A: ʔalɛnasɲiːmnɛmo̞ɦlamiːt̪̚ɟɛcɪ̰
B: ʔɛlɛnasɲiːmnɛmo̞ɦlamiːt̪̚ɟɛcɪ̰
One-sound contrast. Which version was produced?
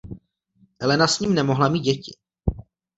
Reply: B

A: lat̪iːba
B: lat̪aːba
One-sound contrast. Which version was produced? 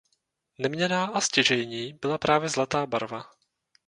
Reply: B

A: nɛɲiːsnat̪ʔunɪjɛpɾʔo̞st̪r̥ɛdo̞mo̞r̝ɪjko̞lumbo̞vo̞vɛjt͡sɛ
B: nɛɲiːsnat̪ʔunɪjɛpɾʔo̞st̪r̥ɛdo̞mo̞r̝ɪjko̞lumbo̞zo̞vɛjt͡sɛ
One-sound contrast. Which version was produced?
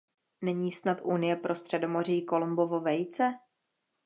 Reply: A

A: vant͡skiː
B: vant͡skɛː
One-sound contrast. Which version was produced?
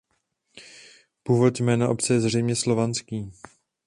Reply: A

